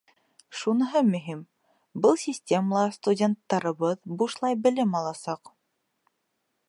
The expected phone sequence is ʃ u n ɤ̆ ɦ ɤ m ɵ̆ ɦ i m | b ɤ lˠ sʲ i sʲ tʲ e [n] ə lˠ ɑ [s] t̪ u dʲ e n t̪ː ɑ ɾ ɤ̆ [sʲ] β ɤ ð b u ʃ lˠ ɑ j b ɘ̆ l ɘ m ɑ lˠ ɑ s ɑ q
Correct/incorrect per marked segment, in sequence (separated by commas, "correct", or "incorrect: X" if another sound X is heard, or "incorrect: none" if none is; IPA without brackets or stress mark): incorrect: m, correct, incorrect: none